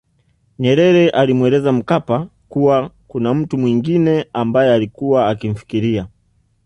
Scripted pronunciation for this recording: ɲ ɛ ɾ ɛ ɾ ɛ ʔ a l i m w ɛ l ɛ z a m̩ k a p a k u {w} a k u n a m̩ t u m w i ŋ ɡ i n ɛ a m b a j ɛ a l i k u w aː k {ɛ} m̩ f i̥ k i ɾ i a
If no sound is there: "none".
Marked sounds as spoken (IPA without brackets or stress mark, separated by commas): w, i